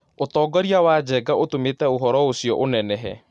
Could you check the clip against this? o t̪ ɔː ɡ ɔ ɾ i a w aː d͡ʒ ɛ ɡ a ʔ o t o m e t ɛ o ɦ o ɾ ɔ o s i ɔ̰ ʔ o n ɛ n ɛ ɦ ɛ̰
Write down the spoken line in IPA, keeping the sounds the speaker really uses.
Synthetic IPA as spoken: o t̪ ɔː ɡ ɔ ɾ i a w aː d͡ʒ ɛ ɡ a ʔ o t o m e t ɛ o ɦ ɔ ɾ ɔ o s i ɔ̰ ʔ o n ɛ n ɛ ɦ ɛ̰